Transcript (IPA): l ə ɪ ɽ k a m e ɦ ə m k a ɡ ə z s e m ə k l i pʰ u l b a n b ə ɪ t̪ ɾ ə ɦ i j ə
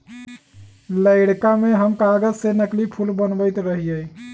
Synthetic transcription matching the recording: l ə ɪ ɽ k a m e ɦ ə m k a ɡ ə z s e n ə k l i pʰ u l b ə n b ə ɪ t̪ ɾ ə ɦ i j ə